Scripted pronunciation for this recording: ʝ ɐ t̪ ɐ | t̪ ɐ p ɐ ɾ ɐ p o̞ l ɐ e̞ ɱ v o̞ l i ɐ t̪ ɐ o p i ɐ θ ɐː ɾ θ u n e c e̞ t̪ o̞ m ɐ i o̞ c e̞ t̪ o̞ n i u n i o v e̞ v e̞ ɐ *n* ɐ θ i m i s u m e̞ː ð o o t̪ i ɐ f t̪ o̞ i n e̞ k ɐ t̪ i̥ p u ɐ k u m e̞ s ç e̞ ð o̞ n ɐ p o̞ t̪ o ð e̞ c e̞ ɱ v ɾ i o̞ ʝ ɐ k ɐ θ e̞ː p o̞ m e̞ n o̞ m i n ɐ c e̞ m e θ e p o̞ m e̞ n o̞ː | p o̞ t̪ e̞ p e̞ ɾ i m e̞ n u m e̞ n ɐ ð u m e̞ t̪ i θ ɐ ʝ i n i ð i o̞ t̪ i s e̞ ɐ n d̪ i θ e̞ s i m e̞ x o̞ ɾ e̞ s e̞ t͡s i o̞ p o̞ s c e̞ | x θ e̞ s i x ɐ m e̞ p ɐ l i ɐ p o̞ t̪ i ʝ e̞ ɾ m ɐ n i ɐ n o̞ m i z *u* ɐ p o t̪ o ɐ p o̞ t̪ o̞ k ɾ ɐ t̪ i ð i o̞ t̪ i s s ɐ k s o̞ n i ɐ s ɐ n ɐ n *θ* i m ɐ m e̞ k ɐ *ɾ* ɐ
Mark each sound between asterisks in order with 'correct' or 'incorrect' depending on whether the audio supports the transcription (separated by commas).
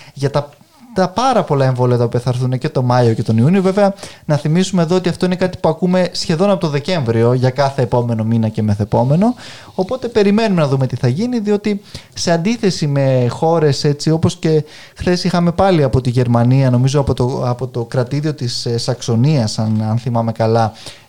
correct, incorrect, correct, incorrect